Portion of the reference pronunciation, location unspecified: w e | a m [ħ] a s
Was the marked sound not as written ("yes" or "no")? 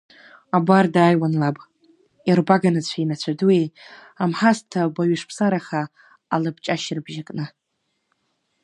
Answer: no